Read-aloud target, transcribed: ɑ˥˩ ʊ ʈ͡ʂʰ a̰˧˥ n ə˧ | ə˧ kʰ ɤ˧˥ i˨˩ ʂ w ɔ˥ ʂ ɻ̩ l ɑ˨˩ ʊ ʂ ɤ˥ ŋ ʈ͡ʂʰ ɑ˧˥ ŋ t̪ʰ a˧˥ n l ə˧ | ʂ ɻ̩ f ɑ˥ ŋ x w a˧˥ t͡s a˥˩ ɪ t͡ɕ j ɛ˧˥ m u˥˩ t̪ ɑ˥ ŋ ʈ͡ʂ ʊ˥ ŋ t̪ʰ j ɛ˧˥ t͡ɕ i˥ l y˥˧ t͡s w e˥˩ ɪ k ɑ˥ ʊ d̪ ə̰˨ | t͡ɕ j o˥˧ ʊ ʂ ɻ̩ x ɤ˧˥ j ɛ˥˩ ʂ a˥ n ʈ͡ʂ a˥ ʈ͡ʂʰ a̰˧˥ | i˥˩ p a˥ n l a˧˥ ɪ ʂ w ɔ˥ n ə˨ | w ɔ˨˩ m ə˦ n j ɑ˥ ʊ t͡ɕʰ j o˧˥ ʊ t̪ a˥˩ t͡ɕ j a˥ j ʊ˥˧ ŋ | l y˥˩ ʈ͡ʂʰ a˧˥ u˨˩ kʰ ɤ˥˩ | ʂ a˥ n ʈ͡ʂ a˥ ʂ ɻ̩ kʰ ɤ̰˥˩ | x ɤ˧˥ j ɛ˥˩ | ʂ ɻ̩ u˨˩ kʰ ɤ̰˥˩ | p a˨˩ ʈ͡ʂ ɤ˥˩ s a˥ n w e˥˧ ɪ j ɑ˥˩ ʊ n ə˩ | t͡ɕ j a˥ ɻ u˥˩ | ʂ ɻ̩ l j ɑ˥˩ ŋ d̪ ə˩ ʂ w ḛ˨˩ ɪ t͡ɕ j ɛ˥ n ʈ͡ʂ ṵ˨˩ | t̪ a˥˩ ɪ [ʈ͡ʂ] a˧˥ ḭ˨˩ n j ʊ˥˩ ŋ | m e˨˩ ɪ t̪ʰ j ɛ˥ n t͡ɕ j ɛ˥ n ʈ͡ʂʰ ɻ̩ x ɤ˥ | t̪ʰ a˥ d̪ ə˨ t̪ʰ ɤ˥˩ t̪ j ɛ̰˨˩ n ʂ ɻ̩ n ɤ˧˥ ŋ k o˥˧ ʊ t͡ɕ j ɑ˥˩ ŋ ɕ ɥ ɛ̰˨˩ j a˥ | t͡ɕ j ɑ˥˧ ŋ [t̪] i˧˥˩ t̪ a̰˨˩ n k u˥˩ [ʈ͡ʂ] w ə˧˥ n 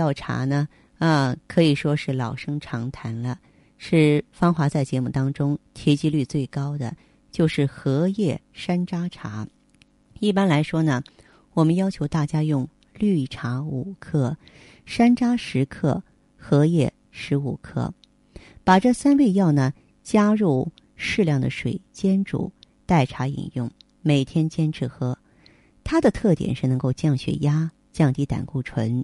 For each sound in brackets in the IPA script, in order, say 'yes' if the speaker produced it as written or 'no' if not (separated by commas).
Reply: no, yes, no